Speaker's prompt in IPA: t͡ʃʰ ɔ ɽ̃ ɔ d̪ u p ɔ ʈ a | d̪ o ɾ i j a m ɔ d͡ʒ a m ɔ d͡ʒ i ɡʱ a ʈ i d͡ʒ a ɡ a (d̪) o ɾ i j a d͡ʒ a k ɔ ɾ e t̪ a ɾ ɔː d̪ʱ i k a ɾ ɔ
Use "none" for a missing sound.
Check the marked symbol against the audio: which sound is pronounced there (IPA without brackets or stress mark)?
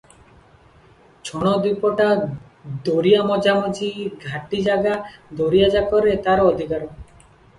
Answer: d̪